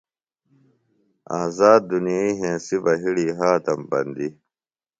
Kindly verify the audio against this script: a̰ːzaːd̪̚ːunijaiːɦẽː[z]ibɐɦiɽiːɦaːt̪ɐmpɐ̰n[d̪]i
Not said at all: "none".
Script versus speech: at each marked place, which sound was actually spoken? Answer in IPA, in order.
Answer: s, d̪

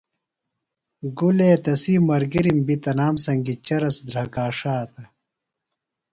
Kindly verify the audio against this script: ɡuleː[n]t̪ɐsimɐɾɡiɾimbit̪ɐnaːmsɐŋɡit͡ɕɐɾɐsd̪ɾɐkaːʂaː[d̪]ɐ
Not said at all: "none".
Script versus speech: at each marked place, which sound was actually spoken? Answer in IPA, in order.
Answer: none, t̪

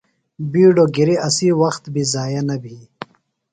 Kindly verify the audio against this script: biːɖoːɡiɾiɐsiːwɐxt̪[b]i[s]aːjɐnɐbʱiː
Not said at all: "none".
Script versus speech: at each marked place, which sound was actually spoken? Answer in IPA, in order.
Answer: b, z

